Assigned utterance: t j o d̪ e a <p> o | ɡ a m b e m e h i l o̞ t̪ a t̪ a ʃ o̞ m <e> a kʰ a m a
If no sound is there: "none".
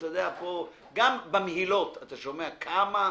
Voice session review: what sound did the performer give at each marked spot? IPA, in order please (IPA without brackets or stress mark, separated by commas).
p, e